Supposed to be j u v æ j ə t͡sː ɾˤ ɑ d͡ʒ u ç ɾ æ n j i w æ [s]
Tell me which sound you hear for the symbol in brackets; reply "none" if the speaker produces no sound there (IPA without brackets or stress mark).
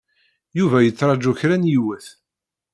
θ